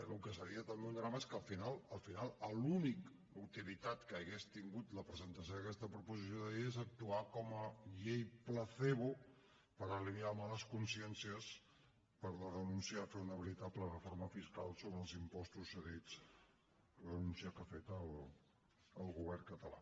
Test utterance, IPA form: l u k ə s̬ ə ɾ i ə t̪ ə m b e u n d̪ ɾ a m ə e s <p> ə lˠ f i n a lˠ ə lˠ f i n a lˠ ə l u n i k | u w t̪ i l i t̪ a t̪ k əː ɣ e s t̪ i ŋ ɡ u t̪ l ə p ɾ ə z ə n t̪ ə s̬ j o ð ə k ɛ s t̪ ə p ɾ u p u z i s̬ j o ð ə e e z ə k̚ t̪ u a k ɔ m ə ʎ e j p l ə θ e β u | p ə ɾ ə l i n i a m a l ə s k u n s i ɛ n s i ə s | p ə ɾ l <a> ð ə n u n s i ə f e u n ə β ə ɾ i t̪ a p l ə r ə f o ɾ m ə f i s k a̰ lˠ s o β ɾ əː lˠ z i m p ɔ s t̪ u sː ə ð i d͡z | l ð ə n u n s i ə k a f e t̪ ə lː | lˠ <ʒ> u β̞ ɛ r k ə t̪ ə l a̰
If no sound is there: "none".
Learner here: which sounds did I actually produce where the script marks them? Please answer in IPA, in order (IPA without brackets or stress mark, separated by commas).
k, ə, ɣ